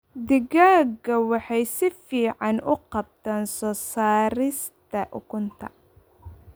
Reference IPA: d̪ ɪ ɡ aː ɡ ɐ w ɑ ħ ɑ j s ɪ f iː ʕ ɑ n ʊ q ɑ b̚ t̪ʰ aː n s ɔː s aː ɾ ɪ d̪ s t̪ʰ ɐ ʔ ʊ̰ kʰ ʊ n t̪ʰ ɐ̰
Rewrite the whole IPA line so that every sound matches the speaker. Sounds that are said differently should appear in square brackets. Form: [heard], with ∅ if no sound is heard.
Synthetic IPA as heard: d̪ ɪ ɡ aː ɡ ɐ w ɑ ħ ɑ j s ɪ f iː ʕ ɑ n ʊ q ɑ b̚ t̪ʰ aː n s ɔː s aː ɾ ɪ [∅] s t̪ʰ ɐ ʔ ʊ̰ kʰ ʊ n t̪ʰ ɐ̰

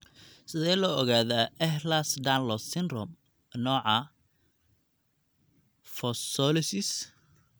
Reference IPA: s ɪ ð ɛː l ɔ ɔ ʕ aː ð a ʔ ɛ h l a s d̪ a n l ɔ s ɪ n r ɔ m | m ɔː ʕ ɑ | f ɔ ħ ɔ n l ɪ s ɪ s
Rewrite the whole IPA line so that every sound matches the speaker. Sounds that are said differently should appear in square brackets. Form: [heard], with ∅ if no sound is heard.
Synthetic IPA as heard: s ɪ ð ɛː l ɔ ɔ [ɣ] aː ð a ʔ ɛ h l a s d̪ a n l ɔ s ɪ n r ɔ m | [n] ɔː ʕ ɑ | f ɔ [s] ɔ [∅] l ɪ s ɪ s

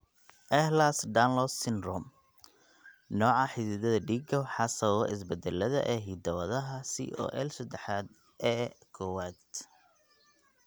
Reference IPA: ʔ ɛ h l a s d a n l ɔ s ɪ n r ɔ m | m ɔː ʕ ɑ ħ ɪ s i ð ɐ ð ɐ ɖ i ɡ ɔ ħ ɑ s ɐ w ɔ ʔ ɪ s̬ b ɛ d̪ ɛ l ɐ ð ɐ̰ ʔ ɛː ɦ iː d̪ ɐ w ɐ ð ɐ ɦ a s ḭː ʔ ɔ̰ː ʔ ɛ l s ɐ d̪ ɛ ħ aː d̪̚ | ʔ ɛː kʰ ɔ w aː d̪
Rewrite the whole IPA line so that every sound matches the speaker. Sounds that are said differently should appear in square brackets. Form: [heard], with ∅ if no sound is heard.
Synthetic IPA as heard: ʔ ɛ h l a s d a n l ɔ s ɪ n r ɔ m | [n] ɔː ʕ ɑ ħ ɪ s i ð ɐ ð ɐ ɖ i ɡ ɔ ħ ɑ s ɐ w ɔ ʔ ɪ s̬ b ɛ d̪ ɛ l ɐ ð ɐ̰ ʔ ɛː ɦ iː d̪ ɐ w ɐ ð ɐ ɦ [ɐ] s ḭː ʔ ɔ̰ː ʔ ɛ l s ɐ d̪ ɛ ħ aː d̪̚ | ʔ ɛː kʰ ɔ w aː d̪

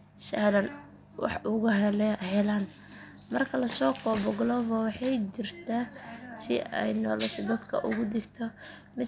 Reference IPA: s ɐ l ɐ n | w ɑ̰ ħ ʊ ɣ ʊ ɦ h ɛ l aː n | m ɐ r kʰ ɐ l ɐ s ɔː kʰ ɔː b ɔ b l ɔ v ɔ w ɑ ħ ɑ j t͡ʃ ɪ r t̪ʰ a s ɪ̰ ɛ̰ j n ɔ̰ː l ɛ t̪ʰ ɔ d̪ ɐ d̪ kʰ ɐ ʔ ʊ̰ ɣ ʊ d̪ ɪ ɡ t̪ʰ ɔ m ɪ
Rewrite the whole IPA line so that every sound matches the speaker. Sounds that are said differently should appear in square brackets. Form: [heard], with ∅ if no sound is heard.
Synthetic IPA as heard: s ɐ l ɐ n | w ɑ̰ ħ ʊ ɣ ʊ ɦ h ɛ l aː n | m ɐ r kʰ ɐ l ɐ s ɔː kʰ ɔː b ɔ [ɡ] l ɔ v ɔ w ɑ ħ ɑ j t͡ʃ ɪ r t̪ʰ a s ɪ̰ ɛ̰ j n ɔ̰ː l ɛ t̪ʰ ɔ d̪ ɐ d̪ kʰ ɐ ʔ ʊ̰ ɣ ʊ d̪ ɪ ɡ t̪ʰ ɔ m ɪ

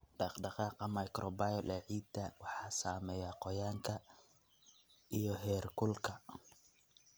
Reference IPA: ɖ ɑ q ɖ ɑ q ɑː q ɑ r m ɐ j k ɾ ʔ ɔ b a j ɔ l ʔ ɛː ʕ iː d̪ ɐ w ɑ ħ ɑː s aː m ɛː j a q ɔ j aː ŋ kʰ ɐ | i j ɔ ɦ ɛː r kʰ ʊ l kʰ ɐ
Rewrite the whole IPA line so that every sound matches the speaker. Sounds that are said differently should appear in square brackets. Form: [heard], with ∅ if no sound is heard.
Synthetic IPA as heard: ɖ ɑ q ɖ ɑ q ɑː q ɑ [∅] m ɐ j k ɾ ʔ ɔ b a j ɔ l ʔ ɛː ʕ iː d̪ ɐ w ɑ ħ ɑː s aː m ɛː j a q ɔ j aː ŋ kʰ ɐ | i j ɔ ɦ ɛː r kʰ ʊ l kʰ ɐ

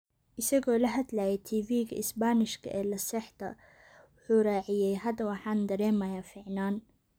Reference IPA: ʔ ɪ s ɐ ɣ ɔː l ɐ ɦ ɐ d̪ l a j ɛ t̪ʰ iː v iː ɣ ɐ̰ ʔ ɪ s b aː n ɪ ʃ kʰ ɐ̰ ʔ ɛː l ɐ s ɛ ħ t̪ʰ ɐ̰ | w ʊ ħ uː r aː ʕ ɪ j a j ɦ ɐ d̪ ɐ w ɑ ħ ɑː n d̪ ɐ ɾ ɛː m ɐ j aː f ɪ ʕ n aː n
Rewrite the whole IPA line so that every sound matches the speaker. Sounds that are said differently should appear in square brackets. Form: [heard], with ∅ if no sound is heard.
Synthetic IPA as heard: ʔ ɪ s ɐ ɣ ɔː l ɐ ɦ ɐ d̪ l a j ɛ t̪ʰ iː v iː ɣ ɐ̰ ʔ ɪ s b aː n ɪ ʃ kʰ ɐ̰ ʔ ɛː l ɐ s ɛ ħ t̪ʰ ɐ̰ | w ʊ ħ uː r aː ʕ ɪ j [ɛ] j ɦ ɐ d̪ ɐ w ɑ ħ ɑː n d̪ ɐ ɾ ɛː m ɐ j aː f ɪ ʕ n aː n

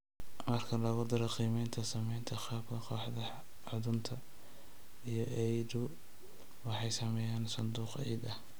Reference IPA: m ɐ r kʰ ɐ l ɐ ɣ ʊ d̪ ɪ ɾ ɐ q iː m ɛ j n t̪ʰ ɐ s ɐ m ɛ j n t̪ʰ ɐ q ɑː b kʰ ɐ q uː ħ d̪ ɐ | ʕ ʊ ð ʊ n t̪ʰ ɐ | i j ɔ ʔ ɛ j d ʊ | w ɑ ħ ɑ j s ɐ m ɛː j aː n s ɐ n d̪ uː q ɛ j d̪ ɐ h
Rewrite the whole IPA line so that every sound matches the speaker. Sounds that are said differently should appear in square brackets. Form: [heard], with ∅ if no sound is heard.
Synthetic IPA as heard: m ɐ r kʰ ɐ l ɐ ɣ ʊ d̪ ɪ ɾ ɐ q iː m ɛ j n t̪ʰ ɐ s ɐ m ɛ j n t̪ʰ ɐ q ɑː b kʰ ɐ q [ɔː] ħ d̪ ɐ | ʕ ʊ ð ʊ n t̪ʰ ɐ | i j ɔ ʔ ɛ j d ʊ | w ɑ ħ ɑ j s ɐ m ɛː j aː n s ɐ n d̪ uː q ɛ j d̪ ɐ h

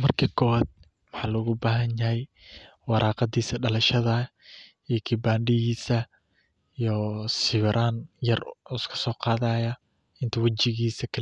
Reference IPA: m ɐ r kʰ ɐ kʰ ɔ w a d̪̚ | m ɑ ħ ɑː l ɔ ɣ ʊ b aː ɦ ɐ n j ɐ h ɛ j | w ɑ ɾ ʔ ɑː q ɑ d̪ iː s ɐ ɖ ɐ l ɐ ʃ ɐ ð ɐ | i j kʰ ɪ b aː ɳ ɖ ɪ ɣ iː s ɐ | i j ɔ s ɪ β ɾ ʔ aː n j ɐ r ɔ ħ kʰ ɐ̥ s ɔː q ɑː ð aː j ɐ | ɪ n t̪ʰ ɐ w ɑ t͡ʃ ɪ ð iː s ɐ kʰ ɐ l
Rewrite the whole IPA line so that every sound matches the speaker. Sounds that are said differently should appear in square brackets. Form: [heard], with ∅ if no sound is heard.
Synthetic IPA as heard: m ɐ r kʰ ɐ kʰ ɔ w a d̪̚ | m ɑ ħ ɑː l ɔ ɣ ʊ b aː ɦ ɐ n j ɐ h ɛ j | w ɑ ɾ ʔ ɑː q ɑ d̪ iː s ɐ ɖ ɐ l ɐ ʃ ɐ ð ɐ | i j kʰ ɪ b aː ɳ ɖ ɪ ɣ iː s ɐ | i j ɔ s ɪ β ɾ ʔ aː n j ɐ r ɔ [s] kʰ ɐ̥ s ɔː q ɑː ð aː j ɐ | ɪ n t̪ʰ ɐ w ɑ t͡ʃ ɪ [ɣ] iː s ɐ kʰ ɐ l

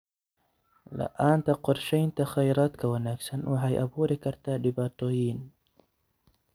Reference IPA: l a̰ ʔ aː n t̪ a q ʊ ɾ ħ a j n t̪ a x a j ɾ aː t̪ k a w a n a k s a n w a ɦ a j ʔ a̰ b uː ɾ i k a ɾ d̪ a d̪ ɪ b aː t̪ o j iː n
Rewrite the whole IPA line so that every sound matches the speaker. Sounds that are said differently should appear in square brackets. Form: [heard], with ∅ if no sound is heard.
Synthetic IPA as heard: l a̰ ʔ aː n t̪ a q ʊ ɾ [ʃ] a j n t̪ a x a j ɾ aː t̪ k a w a n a k s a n w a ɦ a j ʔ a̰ b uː ɾ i k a ɾ [t̪] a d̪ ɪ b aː t̪ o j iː n

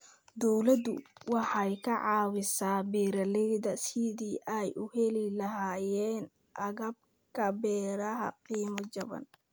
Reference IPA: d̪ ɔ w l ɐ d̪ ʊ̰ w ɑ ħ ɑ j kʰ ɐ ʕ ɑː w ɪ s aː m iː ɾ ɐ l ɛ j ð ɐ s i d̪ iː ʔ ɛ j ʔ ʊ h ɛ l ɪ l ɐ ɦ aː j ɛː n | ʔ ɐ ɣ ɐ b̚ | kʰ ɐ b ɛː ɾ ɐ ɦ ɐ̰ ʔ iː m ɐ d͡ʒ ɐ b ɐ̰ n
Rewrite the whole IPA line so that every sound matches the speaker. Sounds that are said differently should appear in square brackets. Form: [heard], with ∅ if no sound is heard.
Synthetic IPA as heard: d̪ ɔ w l ɐ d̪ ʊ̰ w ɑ ħ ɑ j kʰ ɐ ʕ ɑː w ɪ s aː [b] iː ɾ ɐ l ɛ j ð ɐ s i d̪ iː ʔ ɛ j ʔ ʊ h ɛ l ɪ l ɐ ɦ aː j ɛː n | ʔ ɐ ɣ ɐ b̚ | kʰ ɐ b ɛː ɾ ɐ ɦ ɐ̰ [q] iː m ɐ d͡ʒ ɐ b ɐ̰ n

